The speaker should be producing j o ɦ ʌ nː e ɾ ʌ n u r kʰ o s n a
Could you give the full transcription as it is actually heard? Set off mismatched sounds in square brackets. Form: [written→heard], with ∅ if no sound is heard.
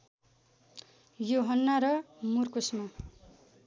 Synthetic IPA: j o ɦ ʌ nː [e→a] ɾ ʌ [n→m] u r [kʰ→k] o s [n→m] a